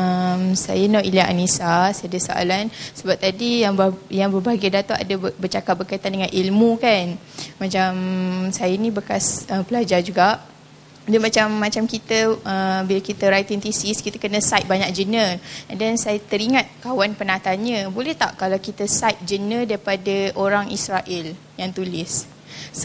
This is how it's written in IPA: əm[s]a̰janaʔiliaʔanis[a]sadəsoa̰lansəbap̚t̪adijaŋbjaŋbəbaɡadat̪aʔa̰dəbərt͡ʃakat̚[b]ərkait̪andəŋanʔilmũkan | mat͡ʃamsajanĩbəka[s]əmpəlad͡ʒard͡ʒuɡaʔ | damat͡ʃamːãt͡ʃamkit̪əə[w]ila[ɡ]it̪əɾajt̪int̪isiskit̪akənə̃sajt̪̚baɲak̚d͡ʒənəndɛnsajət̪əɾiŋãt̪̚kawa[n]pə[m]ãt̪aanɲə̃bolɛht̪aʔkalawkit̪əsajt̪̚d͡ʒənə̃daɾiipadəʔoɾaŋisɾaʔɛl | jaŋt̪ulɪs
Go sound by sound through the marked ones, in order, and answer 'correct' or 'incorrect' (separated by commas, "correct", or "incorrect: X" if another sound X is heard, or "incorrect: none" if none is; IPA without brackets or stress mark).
correct, correct, correct, correct, incorrect: b, incorrect: k, correct, incorrect: n